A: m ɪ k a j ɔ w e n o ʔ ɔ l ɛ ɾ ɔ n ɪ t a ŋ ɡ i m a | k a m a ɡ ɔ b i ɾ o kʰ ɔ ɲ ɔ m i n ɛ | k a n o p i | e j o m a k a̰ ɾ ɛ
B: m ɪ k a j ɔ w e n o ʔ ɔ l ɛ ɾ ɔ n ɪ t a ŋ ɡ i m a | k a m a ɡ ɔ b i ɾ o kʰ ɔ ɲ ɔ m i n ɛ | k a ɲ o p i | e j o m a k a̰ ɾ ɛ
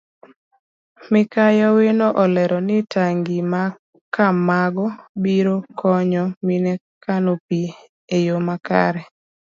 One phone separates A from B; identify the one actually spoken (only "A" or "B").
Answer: A